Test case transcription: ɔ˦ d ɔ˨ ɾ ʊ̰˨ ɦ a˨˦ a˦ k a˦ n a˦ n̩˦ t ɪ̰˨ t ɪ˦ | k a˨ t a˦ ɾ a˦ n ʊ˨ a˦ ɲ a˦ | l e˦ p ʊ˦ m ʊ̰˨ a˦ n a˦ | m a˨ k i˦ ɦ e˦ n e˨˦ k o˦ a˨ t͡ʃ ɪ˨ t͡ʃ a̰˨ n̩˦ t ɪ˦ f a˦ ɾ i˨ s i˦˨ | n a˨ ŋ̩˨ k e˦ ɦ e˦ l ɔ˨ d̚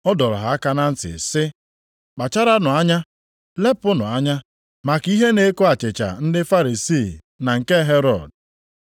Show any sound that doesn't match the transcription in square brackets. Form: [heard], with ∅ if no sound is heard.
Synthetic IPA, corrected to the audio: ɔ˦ d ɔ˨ ɾ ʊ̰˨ ɦ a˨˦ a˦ k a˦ n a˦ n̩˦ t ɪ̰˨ [s] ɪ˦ | [k͡p] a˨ [t͡ʃ] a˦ ɾ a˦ n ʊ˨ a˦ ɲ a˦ | l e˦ p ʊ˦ [n] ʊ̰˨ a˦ [ɲ] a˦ | m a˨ k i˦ ɦ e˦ n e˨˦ k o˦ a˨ t͡ʃ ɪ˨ t͡ʃ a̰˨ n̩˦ [d] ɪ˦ f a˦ ɾ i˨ s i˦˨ | n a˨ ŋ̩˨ k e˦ ɦ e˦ [ɾ] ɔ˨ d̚

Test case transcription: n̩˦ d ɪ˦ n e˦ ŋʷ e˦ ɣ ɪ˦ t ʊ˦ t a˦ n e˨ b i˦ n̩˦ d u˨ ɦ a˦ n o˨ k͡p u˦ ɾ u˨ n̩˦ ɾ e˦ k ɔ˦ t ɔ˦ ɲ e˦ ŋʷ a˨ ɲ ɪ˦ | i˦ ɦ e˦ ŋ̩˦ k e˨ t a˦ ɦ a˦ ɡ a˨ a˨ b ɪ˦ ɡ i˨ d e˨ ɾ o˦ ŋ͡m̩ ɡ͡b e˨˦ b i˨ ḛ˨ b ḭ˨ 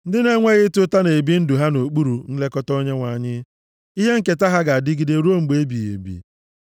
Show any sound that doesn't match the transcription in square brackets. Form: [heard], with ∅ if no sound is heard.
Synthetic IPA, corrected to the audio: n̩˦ d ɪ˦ n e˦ ŋʷ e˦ ɣ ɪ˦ t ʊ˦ t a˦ n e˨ b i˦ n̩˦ d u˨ ɦ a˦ n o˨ k͡p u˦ ɾ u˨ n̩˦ [l] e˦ k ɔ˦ t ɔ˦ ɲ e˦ ŋʷ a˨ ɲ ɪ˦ | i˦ ɦ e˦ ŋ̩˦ k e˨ t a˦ ɦ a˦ ɡ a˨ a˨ [d] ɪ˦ ɡ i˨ d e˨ ɾ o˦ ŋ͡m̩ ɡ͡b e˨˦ b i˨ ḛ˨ b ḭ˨

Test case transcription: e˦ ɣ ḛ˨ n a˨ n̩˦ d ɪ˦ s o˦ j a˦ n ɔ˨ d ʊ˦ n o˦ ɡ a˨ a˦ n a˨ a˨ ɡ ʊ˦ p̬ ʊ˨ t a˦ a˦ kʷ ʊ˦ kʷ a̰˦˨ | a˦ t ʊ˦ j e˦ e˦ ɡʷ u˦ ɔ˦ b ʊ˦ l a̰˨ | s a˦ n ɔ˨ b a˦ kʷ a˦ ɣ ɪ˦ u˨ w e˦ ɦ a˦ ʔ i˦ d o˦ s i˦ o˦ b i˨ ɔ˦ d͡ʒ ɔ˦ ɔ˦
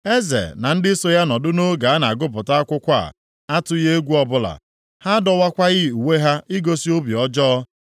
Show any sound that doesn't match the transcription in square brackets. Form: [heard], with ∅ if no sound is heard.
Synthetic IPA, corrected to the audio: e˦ [z] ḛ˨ n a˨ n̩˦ d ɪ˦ s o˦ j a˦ n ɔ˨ d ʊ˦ n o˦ ɡ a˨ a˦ n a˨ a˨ ɡ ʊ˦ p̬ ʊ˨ t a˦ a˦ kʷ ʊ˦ kʷ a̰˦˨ | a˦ t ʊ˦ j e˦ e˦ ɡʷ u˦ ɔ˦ b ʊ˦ l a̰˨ | [h] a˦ [d] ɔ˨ [w] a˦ kʷ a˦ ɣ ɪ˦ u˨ w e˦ ɦ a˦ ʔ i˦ [ɡ] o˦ s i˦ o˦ b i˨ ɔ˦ d͡ʒ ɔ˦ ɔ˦

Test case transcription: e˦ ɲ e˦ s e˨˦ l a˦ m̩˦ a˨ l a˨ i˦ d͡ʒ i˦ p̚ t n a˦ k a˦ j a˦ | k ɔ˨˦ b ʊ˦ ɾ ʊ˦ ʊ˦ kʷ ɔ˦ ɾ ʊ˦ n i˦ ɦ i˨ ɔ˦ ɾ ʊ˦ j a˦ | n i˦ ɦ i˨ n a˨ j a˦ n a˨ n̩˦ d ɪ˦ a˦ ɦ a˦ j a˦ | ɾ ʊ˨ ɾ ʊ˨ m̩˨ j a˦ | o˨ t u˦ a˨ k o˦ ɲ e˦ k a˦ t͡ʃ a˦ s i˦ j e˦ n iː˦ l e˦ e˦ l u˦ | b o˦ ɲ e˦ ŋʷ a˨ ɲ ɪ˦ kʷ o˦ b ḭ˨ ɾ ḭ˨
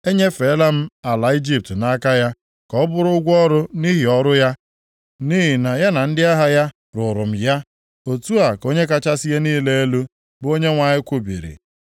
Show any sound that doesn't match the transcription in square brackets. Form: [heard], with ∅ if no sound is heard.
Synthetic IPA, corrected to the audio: e˦ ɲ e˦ [f] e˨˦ l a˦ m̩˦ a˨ l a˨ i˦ d͡ʒ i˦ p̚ t n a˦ k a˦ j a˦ | k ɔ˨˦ b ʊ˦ ɾ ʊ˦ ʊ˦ [ɡʷ] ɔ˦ ɾ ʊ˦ n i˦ ɦ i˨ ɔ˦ ɾ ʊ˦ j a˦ | n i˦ ɦ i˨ n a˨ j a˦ n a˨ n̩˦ d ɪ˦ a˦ ɦ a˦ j a˦ | ɾ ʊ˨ ɾ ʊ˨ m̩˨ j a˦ | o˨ t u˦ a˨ k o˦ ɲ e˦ k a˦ t͡ʃ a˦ s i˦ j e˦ n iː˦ l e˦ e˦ l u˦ | b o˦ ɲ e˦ ŋʷ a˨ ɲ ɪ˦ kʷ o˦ b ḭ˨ ɾ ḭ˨

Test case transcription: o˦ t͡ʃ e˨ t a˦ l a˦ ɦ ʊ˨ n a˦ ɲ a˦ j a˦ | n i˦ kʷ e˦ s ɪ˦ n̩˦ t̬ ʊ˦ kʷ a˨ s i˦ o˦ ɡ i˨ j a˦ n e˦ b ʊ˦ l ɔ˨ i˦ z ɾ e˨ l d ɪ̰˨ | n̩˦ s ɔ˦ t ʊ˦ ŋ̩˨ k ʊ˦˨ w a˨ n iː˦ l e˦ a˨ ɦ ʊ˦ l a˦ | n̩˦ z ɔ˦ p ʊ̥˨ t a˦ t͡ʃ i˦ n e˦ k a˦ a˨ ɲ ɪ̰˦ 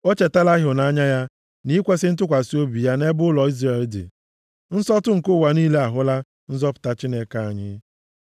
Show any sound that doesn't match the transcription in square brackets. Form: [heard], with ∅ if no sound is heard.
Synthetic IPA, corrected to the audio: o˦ t͡ʃ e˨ t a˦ l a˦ ɦ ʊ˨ n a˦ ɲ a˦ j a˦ | n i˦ kʷ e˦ s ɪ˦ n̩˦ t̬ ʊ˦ kʷ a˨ s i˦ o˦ [b] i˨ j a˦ n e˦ b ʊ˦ l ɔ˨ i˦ z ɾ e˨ l d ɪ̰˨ | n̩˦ s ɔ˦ t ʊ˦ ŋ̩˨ k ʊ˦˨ w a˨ n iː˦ l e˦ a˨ ɦ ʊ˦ l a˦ | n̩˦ z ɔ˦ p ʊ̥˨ t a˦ t͡ʃ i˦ n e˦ k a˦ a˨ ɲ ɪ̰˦

